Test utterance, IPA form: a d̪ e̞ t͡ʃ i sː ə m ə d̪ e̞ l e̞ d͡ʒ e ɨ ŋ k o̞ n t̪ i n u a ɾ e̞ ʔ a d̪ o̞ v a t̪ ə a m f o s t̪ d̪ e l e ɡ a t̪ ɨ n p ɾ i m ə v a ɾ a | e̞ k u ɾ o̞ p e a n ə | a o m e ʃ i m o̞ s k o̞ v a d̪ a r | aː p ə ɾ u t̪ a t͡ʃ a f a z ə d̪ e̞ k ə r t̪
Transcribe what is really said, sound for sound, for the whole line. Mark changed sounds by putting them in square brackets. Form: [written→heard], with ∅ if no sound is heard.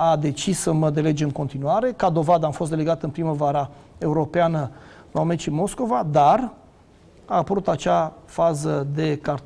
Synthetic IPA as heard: a d̪ e̞ t͡ʃ i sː ə m ə d̪ e̞ l e̞ d͡ʒ e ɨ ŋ k o̞ n t̪ i n u a ɾ e̞ [ʔ→k] a d̪ o̞ v a [t̪→d̪] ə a m f o s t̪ d̪ e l e ɡ a t̪ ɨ n p ɾ i m ə v a ɾ a | e̞ [k→∅] u ɾ o̞ p e a n ə | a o m e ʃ i m o̞ s k o̞ v a d̪ a r | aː p ə ɾ u t̪ a t͡ʃ a f a z ə d̪ e̞ k [ə→a] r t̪